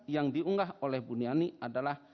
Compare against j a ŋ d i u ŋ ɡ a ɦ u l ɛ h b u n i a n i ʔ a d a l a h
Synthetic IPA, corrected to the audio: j a ŋ d i u ŋ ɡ a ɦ o l ɛ h b u n i a n i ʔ a d a l a h